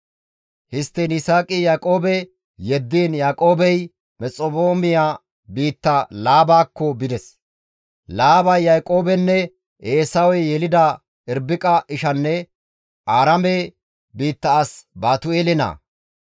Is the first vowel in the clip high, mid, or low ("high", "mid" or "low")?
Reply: high